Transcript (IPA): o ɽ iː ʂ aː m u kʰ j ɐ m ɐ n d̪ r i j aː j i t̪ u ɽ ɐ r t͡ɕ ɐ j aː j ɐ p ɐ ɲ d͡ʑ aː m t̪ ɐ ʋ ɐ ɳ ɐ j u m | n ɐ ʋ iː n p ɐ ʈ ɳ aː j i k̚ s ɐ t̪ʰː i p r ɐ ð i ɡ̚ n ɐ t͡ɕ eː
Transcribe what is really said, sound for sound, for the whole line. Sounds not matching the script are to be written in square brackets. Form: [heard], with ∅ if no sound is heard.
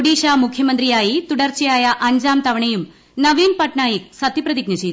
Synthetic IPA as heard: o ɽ iː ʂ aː m u kʰ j ɐ m ɐ n d̪ r i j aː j i t̪ u ɽ ɐ r t͡ɕ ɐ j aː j ɐ [ʔ] ɐ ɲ d͡ʑ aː m t̪ ɐ ʋ ɐ ɳ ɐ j u m | n ɐ ʋ iː n p ɐ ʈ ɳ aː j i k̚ s ɐ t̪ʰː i p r ɐ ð i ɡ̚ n ɐ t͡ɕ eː